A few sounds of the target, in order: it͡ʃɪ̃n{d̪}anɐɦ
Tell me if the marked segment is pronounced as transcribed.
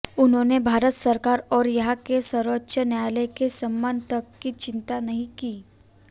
no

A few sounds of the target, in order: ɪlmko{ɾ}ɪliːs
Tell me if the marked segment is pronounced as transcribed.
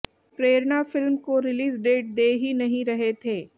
yes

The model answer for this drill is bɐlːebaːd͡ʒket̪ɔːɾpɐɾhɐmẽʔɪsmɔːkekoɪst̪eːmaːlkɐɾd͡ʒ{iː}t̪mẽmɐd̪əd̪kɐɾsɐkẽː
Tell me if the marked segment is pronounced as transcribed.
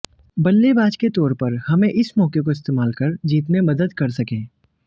yes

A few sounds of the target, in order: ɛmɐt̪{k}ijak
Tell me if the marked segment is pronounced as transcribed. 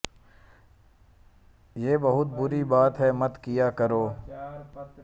yes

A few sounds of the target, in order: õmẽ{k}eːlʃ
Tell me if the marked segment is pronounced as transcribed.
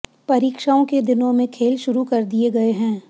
no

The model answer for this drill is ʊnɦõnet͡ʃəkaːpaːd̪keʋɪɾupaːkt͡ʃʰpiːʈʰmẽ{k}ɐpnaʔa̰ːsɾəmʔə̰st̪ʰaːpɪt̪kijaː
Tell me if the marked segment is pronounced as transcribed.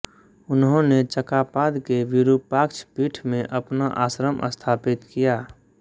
no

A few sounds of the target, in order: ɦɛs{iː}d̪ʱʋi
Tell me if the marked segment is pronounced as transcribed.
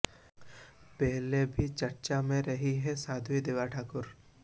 no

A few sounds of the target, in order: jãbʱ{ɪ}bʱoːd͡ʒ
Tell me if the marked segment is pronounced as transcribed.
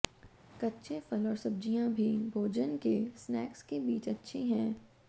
no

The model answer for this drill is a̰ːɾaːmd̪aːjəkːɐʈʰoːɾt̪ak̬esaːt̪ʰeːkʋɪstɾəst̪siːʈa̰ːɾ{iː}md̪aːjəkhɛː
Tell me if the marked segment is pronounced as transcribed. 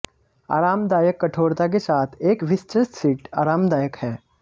no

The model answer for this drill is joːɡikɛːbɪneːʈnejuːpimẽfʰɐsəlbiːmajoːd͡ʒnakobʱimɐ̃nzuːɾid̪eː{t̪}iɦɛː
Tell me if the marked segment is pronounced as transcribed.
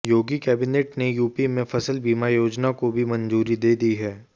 no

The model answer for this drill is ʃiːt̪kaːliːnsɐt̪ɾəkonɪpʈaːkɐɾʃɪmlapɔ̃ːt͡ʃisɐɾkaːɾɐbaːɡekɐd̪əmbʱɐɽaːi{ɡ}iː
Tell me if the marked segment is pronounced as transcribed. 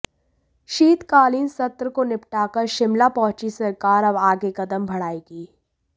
yes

